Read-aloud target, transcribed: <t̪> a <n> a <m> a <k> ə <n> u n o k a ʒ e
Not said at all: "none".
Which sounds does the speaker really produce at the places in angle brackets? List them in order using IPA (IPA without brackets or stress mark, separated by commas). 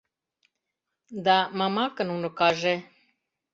d̪, m, m, k, n